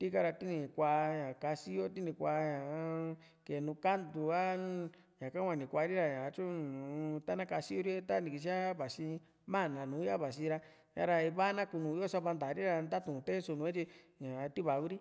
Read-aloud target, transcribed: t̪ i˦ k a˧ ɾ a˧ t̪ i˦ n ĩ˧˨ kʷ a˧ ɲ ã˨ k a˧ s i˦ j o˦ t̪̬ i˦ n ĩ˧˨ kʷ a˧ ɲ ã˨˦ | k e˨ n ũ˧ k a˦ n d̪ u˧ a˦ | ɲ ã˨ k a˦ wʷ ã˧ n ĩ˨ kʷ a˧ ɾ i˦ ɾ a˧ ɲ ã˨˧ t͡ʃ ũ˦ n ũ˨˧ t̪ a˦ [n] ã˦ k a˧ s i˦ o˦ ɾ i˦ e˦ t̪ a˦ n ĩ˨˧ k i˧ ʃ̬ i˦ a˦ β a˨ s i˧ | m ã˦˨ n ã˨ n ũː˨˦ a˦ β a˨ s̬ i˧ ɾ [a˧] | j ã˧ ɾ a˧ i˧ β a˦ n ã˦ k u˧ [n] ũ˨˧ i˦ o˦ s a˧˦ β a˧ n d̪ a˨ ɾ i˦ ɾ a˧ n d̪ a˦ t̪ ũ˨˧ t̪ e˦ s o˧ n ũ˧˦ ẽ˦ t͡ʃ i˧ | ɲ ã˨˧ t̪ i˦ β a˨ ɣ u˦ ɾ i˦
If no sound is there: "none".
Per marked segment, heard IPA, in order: n, a˧, n

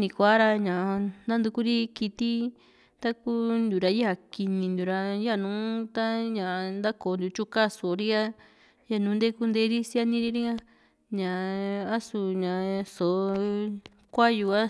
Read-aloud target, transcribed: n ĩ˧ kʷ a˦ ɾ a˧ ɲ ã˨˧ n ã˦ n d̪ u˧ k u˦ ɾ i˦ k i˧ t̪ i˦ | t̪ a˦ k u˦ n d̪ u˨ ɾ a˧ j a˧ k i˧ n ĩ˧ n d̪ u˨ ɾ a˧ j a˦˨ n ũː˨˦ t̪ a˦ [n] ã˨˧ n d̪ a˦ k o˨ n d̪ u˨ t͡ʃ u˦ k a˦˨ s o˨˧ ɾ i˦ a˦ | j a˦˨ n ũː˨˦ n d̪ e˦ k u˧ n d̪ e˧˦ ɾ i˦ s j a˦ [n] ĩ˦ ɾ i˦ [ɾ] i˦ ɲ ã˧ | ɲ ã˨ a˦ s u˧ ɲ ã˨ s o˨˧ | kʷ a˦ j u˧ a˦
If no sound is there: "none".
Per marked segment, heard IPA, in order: ɲ, n, ɾ

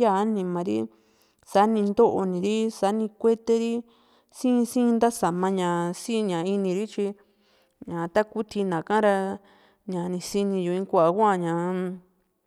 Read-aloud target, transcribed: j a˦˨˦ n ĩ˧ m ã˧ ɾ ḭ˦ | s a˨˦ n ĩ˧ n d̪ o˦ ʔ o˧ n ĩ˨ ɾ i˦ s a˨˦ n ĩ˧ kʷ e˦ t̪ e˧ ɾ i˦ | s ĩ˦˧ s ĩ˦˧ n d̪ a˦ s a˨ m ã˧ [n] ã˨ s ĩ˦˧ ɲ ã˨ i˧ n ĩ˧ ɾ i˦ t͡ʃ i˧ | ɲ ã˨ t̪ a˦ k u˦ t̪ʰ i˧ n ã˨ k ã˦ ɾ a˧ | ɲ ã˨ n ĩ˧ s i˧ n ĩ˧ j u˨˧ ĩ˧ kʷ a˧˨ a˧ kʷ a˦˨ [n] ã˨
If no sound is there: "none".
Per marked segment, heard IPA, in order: ɲ, ɲ

